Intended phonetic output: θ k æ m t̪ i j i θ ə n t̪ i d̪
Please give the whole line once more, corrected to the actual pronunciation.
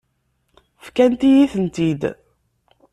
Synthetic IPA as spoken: f k æ n t̪ i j i θ ə n t̪ i d̪